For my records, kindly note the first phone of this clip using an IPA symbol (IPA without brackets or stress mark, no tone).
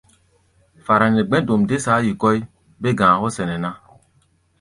f